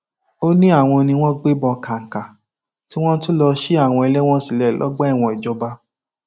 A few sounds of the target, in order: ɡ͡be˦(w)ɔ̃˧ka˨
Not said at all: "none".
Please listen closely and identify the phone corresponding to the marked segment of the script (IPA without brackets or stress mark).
b